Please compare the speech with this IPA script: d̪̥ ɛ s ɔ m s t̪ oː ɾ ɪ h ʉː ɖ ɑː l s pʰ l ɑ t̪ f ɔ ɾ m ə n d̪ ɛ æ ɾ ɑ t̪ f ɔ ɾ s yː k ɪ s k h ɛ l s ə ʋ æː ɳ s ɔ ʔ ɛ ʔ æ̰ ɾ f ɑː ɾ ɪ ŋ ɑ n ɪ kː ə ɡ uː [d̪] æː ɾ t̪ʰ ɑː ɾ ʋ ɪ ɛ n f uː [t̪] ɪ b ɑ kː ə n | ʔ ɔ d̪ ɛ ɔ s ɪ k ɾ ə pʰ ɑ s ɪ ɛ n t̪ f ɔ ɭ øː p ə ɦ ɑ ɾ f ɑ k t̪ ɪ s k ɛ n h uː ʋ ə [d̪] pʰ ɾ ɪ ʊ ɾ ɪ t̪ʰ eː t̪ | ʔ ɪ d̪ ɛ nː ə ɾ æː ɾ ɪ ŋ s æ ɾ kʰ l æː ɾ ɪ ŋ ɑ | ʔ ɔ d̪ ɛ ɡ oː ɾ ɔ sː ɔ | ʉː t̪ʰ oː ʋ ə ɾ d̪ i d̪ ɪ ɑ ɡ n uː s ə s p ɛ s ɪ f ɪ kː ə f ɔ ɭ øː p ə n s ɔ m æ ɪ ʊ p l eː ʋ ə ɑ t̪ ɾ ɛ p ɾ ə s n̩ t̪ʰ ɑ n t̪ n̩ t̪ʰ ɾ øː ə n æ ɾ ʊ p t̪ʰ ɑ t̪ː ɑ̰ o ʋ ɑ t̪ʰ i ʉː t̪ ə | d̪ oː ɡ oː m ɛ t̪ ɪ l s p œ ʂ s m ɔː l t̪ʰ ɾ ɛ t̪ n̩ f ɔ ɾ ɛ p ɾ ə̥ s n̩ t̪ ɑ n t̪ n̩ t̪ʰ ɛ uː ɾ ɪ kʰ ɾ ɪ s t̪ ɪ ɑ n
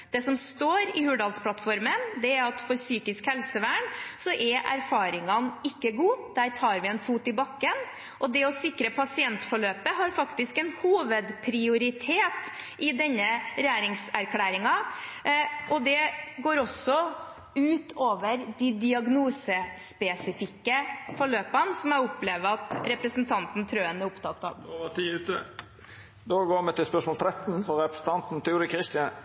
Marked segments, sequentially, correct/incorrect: correct, correct, correct

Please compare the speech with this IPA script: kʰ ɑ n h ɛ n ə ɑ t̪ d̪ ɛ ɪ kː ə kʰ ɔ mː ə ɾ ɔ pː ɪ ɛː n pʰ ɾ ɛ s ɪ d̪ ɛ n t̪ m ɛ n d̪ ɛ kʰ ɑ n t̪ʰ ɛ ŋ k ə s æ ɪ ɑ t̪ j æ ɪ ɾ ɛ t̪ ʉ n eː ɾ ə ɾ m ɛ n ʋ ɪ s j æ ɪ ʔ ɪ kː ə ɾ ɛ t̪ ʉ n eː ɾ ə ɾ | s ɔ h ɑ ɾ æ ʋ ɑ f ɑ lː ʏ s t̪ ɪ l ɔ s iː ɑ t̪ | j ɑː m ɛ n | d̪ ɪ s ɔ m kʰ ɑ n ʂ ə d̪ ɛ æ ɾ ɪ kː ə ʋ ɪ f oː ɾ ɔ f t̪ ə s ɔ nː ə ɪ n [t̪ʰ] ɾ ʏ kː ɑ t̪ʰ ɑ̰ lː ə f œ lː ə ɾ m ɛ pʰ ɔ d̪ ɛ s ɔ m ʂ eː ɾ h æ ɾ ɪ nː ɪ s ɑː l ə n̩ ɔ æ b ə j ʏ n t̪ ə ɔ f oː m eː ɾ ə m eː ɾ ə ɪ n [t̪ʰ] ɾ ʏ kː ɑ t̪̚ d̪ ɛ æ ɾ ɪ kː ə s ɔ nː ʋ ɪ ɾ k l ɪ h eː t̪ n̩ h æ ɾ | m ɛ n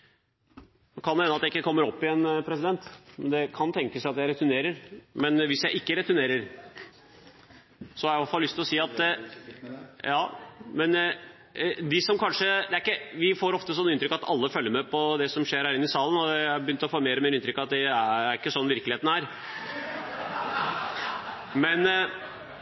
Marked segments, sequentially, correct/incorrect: incorrect: t̪, incorrect: t̪

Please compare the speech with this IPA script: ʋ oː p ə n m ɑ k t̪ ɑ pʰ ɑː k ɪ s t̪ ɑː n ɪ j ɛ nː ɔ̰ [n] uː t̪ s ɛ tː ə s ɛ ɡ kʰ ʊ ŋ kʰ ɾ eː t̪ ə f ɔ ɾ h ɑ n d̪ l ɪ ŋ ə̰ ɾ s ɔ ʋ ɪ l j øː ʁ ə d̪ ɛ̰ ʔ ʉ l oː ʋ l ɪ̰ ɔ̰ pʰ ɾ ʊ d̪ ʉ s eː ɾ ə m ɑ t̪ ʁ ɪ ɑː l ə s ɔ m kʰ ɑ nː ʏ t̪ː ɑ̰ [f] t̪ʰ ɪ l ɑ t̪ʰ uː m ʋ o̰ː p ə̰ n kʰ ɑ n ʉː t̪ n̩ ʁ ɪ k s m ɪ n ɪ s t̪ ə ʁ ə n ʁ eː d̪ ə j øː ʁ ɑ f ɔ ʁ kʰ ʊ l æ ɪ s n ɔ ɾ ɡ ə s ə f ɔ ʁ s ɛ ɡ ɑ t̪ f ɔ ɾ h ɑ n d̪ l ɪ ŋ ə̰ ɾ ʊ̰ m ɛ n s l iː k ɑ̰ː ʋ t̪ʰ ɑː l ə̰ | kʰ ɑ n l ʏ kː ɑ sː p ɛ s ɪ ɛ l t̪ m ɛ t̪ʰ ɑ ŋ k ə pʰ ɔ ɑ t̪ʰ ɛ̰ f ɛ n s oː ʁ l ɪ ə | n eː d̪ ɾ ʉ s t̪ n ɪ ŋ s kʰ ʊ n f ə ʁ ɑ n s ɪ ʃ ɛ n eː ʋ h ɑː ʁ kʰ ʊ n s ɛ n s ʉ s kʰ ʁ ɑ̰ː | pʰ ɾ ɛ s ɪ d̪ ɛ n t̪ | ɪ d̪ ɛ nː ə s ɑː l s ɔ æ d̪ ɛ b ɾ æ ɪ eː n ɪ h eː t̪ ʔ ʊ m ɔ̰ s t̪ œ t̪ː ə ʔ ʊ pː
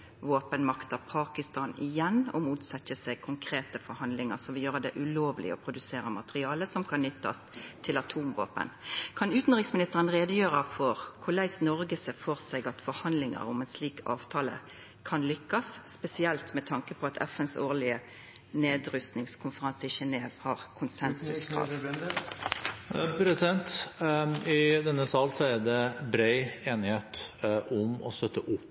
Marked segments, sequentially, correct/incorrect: incorrect: m, incorrect: s

